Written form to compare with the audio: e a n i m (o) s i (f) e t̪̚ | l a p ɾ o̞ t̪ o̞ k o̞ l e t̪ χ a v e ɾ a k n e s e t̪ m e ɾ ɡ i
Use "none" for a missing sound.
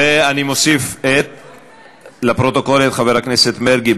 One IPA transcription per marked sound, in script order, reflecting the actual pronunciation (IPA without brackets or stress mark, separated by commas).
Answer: o, f